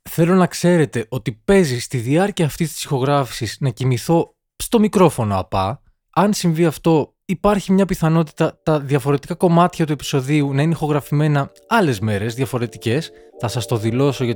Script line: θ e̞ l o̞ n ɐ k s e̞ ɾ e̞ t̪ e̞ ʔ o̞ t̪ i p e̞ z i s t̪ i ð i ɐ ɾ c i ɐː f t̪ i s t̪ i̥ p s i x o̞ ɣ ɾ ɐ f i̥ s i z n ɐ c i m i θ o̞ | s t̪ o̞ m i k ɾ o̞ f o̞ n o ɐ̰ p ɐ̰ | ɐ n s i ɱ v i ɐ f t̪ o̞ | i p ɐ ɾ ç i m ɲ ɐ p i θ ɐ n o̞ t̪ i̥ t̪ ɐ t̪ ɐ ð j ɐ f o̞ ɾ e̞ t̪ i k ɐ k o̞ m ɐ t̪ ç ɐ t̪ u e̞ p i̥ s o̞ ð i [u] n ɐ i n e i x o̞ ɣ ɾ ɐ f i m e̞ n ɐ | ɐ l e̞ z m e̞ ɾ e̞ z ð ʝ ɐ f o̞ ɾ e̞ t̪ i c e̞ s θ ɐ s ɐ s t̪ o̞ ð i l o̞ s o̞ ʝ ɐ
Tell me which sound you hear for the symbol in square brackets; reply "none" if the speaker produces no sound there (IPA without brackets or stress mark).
u